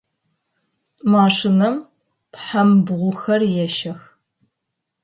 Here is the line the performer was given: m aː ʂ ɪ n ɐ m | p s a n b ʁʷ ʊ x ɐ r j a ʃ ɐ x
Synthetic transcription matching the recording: m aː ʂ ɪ n ɐ m | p ħ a m b ʁʷ ʊ x ɐ r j ɛ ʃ ɐ x